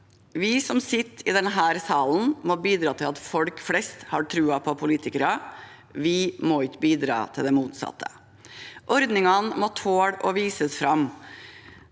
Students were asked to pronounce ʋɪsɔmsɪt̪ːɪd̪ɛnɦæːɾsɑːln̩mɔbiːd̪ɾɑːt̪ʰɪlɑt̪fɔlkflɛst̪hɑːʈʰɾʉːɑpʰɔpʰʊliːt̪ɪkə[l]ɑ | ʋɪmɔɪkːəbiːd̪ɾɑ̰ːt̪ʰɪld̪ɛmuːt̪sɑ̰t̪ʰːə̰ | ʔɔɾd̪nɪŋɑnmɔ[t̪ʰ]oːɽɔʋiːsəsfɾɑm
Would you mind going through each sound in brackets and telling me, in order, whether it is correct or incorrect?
incorrect, correct

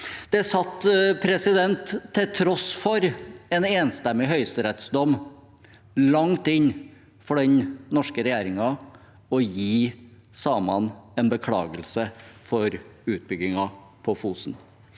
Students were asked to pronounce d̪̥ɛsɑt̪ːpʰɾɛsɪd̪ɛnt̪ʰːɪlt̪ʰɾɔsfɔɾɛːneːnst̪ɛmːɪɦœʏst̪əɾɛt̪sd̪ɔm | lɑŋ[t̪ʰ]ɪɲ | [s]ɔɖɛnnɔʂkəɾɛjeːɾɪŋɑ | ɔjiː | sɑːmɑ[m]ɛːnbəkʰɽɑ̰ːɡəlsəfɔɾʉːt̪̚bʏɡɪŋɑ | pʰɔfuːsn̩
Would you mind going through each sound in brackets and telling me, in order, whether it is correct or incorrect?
incorrect, incorrect, incorrect

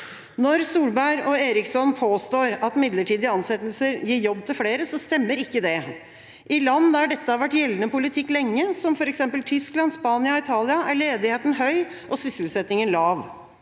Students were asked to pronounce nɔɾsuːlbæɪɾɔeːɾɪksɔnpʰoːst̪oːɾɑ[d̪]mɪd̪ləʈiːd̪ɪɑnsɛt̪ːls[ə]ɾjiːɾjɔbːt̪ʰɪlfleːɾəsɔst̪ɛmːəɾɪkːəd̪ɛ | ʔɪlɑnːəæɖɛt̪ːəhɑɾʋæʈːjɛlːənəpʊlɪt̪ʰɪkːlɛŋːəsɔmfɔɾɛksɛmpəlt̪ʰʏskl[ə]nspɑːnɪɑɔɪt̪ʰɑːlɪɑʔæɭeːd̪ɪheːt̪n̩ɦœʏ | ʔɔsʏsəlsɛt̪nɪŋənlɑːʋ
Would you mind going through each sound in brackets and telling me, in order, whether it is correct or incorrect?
incorrect, correct, incorrect

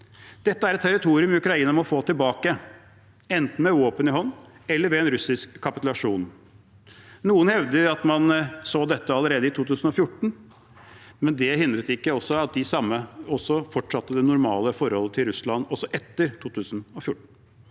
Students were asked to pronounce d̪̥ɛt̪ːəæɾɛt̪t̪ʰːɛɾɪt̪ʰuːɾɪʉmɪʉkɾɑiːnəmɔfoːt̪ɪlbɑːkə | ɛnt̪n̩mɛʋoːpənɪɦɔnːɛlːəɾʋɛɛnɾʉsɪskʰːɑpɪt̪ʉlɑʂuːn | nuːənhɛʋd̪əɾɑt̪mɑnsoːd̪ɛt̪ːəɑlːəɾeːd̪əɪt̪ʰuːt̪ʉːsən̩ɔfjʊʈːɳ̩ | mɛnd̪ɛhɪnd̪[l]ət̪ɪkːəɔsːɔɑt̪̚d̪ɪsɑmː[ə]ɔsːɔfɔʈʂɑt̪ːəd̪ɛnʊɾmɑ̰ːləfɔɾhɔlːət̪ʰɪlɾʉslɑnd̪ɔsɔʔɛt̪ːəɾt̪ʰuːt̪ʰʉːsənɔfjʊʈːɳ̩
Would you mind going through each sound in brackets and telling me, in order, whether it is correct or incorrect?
incorrect, correct

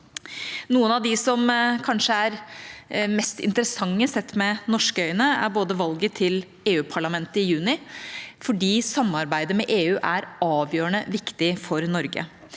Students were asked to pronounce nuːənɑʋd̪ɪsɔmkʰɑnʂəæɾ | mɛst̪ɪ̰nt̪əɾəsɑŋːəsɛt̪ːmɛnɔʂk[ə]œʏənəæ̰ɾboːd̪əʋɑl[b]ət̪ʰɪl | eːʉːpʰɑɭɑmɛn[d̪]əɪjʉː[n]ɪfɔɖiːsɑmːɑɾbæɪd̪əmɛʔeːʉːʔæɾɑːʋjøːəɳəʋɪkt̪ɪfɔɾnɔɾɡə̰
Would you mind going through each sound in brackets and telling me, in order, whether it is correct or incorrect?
correct, incorrect, incorrect, correct

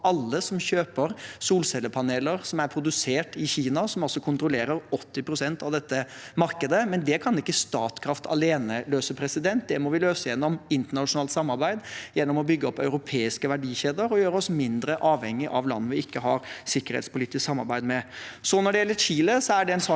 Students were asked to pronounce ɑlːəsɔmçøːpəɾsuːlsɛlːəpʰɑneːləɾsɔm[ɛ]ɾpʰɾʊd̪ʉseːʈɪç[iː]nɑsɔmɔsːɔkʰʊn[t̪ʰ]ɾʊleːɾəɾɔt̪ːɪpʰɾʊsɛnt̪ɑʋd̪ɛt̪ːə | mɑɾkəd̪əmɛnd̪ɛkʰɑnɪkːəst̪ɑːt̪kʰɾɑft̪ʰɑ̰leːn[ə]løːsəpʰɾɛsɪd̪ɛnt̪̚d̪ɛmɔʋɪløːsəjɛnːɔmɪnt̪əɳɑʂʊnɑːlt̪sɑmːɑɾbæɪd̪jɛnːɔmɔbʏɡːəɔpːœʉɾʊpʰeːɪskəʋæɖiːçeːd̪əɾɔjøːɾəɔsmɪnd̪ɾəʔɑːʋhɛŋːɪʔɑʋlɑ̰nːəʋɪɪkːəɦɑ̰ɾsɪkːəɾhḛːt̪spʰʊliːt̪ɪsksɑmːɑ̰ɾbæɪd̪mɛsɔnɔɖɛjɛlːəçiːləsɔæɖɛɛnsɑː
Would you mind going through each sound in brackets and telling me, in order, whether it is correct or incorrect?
incorrect, correct, incorrect, correct

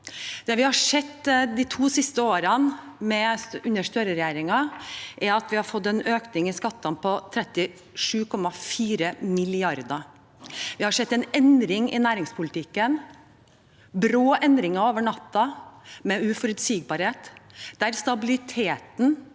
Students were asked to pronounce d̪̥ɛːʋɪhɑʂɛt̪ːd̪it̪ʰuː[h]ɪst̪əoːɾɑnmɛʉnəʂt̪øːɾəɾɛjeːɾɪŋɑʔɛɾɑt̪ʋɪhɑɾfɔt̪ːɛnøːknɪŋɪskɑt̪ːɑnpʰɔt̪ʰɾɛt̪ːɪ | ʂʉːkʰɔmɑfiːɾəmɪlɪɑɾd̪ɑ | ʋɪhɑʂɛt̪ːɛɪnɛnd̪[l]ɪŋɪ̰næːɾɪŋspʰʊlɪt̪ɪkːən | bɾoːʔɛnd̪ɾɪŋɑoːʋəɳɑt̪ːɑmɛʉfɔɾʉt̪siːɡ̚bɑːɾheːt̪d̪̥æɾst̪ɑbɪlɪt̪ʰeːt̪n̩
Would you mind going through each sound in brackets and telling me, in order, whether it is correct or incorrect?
incorrect, incorrect

